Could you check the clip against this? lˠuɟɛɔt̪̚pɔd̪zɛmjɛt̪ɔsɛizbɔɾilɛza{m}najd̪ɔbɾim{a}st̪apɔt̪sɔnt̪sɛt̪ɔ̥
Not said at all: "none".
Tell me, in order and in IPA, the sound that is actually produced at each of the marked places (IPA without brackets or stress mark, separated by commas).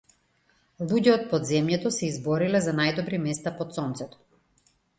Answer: none, ɛ